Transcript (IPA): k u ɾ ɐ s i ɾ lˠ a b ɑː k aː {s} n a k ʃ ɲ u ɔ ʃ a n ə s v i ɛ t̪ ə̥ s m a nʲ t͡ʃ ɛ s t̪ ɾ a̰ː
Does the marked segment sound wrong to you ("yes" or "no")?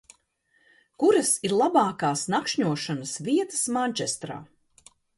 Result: no